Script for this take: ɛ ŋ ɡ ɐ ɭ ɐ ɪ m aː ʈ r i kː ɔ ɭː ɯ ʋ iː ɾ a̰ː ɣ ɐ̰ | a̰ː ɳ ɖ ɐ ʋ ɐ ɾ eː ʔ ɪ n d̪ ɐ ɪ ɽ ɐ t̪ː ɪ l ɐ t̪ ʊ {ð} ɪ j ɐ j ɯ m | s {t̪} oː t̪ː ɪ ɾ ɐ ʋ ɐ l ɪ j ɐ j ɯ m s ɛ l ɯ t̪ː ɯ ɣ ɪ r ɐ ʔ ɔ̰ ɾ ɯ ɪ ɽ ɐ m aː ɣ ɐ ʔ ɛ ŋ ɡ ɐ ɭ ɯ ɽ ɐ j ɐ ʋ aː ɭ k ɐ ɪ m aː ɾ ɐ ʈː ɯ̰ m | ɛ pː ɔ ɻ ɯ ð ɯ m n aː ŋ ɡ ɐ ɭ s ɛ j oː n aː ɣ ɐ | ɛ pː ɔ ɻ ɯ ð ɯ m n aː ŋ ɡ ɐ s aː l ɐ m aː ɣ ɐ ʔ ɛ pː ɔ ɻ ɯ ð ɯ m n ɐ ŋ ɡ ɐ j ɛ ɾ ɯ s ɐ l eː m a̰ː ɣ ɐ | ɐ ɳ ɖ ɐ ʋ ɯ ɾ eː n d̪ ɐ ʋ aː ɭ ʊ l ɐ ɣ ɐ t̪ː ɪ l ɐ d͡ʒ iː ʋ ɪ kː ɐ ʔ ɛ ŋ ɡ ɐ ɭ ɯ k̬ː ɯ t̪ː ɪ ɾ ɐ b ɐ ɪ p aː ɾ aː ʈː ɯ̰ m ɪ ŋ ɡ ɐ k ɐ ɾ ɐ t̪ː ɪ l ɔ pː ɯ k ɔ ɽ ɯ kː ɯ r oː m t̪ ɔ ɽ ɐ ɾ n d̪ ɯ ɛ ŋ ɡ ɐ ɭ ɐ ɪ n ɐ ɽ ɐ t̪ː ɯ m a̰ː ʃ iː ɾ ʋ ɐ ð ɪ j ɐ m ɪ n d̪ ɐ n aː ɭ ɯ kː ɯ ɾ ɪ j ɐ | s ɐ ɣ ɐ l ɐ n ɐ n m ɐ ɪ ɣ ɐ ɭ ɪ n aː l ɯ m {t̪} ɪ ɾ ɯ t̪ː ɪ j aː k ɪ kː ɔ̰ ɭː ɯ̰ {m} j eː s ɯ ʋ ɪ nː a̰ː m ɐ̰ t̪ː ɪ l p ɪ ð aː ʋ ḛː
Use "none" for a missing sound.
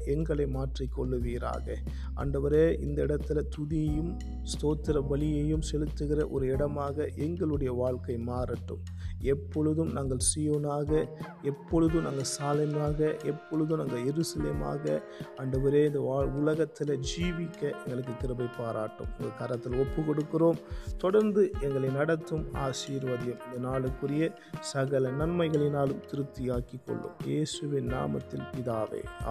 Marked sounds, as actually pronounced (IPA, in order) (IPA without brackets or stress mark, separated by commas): ð, t̪, t̪, m